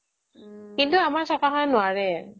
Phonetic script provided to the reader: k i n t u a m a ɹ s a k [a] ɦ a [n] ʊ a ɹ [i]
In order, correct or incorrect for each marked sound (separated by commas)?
correct, correct, incorrect